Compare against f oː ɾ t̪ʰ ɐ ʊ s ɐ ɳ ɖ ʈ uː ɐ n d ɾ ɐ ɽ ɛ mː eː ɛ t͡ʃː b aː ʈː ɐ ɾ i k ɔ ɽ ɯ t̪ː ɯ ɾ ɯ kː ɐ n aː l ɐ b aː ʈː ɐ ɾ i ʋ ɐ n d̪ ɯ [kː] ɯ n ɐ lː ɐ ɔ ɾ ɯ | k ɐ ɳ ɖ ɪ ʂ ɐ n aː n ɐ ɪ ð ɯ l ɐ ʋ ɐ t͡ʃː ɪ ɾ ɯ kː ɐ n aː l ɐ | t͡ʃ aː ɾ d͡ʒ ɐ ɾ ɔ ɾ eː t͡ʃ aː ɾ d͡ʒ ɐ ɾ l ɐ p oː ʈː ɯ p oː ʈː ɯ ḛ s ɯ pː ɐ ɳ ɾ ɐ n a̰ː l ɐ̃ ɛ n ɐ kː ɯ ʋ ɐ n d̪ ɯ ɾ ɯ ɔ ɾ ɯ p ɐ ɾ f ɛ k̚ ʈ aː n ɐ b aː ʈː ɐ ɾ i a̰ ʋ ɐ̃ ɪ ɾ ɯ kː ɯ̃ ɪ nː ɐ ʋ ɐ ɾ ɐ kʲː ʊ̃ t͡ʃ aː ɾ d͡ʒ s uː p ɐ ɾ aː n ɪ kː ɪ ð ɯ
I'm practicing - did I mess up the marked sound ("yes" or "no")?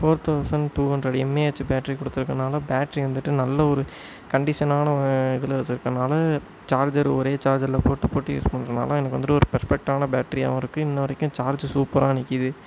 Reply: yes